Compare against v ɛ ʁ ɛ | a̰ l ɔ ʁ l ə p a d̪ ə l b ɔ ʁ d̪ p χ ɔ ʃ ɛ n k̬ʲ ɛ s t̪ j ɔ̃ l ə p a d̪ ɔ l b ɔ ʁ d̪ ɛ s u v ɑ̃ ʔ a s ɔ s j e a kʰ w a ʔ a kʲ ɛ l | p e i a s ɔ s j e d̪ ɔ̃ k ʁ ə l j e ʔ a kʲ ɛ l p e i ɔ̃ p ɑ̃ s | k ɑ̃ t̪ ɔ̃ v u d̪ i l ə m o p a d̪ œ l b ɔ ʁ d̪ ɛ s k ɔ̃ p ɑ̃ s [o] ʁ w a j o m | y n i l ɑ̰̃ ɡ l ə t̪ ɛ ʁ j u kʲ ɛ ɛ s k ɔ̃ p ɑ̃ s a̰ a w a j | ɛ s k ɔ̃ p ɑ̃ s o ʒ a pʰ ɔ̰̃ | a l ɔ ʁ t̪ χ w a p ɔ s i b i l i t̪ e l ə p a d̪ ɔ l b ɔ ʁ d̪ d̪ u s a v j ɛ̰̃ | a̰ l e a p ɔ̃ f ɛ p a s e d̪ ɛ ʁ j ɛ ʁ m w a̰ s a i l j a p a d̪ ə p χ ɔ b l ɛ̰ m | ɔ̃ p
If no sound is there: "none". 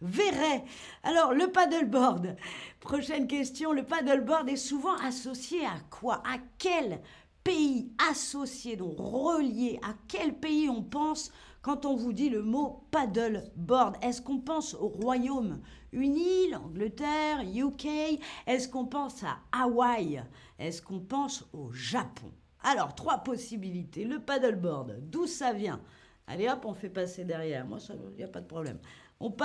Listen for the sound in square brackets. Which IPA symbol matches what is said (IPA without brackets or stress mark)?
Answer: o